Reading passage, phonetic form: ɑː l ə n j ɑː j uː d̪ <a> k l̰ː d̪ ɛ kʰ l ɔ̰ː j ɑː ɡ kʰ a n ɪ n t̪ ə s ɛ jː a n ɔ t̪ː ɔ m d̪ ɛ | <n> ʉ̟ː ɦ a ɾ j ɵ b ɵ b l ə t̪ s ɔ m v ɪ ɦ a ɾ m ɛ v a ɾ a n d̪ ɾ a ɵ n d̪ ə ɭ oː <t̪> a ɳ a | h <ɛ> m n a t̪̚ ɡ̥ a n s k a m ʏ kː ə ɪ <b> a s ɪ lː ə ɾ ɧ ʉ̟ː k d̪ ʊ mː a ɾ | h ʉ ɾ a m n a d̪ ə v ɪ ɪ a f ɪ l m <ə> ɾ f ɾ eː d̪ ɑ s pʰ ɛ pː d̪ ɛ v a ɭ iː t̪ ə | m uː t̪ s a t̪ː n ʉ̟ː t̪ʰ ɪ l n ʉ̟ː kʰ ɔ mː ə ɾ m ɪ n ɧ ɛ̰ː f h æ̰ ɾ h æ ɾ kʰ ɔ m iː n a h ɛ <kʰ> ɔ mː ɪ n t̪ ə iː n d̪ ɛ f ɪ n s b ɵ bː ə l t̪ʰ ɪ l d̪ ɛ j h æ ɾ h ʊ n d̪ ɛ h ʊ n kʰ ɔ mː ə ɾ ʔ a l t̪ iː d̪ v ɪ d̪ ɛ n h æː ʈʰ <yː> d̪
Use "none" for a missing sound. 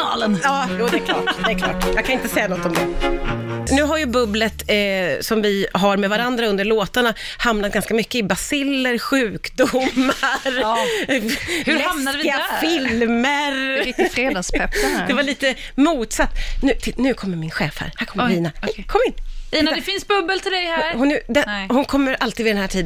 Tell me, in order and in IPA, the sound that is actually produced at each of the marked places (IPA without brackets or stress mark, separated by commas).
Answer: ɛ, n, t̪, a, b, ə, kʰ, iː